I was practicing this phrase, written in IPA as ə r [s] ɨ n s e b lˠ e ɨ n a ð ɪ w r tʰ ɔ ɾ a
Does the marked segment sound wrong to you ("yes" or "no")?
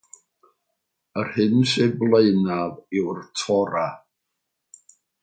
yes